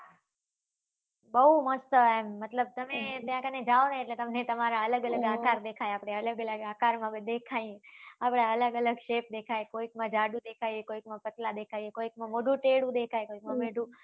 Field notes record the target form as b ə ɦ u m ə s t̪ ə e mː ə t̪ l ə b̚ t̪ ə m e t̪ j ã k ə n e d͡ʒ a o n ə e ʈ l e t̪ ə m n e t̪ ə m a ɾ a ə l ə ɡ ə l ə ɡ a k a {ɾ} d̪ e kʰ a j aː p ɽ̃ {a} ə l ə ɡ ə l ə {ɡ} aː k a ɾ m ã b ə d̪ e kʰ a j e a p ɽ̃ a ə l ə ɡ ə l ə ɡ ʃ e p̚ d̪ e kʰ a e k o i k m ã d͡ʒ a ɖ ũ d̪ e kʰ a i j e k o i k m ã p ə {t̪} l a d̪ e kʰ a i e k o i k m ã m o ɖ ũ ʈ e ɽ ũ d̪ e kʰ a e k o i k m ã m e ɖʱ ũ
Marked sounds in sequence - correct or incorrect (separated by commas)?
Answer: correct, incorrect, correct, correct